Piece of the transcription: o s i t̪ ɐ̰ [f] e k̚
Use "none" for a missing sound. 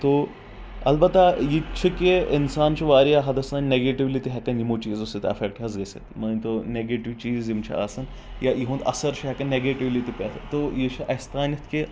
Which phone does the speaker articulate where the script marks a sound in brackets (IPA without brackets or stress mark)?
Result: f